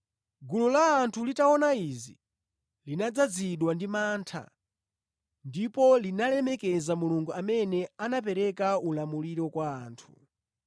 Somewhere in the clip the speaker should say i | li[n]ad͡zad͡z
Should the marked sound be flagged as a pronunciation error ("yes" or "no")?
no